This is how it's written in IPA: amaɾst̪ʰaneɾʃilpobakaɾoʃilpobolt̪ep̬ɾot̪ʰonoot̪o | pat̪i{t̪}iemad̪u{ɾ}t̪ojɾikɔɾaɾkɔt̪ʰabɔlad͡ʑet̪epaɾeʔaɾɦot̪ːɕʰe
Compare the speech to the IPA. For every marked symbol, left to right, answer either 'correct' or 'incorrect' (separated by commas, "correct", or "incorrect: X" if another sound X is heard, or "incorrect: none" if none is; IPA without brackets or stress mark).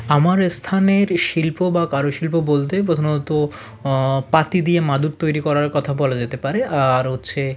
incorrect: d̪, correct